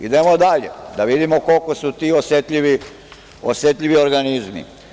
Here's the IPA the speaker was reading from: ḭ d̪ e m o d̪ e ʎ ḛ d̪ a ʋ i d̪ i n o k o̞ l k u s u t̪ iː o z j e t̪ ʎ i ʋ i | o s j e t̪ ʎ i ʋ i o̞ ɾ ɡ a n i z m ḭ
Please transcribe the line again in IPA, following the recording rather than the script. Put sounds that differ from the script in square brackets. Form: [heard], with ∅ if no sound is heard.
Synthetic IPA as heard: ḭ d̪ e m o d̪ [a] ʎ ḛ d̪ a ʋ i d̪ i [m] o k o̞ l k [o] s u t̪ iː o [s] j e t̪ ʎ i ʋ i | o s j e t̪ ʎ i ʋ i o̞ ɾ ɡ a n i z m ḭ